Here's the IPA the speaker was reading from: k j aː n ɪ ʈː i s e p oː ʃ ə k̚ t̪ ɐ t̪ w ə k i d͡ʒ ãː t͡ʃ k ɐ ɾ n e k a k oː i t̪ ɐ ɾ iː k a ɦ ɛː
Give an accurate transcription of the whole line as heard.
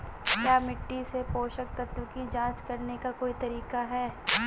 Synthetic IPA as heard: k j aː m ɪ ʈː i s e p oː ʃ ə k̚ t̪ ɐ t̪ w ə k i d͡ʒ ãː t͡ʃ k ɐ ɾ n e k a k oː i t̪ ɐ ɾ iː k a ɦ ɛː